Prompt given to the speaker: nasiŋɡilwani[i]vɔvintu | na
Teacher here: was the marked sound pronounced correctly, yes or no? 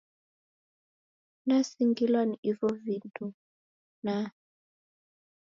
yes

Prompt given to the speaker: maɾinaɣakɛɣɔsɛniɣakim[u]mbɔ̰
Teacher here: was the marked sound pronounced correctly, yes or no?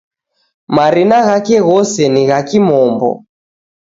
no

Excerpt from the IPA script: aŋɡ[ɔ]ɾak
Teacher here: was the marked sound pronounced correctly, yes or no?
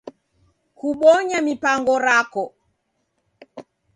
yes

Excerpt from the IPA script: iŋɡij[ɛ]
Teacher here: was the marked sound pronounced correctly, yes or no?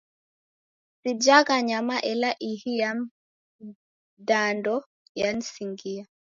no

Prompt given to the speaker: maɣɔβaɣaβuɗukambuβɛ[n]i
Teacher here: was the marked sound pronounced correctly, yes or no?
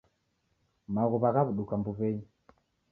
no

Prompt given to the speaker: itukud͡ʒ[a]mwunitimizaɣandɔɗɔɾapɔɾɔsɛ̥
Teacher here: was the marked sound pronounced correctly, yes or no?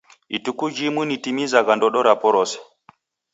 no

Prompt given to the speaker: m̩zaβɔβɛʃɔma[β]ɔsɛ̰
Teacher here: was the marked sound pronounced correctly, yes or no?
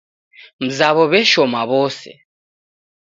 yes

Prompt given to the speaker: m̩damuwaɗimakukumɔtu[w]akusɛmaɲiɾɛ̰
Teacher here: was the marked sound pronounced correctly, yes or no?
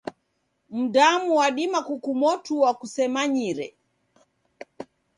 yes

